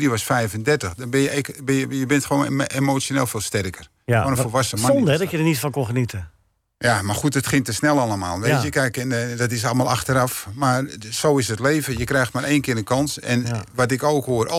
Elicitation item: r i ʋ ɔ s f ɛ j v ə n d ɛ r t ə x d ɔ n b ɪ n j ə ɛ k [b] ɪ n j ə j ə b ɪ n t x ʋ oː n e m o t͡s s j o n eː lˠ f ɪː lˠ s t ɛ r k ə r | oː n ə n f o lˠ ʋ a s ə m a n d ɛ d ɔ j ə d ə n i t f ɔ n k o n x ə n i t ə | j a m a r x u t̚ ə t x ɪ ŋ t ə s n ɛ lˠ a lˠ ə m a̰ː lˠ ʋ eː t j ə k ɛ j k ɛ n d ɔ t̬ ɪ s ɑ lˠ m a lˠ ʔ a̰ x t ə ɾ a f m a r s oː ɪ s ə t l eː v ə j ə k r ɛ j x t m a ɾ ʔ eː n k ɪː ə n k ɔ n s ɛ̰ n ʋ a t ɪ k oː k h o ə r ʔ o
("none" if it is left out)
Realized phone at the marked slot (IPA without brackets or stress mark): b